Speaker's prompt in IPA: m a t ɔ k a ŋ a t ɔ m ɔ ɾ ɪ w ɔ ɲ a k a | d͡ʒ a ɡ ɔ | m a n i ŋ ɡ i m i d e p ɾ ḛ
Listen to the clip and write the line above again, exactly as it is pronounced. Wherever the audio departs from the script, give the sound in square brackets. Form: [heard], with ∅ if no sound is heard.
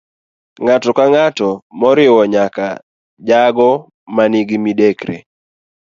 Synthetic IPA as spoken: [ŋ] a t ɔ k a ŋ a t ɔ m ɔ ɾ ɪ w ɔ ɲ a k a | d͡ʒ a ɡ ɔ | m a n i [∅] ɡ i m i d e [k] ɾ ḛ